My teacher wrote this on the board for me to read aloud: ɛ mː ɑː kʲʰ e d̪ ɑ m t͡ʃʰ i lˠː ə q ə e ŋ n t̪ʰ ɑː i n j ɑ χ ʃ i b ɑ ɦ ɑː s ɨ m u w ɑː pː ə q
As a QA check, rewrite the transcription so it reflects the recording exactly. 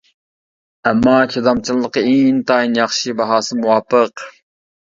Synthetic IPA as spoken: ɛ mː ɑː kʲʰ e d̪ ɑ m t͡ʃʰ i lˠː ə q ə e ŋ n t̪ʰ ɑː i n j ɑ χ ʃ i b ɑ ɦ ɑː s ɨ m u w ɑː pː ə q